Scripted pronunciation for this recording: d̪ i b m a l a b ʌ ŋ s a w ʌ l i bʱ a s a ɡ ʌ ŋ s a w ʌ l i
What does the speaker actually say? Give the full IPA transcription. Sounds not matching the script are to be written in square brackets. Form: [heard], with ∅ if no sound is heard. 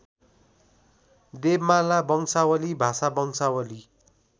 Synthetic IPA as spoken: d̪ [e] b m a l a b ʌ ŋ s a w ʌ l i bʱ a s a [b] ʌ ŋ s a w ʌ l i